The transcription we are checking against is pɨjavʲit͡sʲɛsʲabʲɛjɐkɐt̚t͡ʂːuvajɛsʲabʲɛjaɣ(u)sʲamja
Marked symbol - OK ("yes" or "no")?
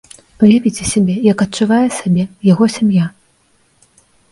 no